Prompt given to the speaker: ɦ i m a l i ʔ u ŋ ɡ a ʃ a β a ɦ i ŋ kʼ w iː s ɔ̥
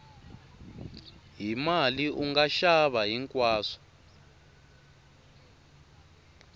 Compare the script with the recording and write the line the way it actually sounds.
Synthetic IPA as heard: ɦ i m a l i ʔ u ŋ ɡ a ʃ a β a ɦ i ŋ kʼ w aː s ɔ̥